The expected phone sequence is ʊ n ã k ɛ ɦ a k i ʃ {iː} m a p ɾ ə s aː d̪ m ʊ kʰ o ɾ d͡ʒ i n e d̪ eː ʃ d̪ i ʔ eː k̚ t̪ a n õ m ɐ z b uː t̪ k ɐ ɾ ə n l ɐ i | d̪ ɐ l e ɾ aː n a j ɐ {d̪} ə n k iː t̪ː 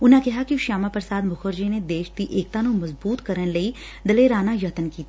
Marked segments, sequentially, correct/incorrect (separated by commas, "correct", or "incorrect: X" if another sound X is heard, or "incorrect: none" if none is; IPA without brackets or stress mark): incorrect: aː, incorrect: t̪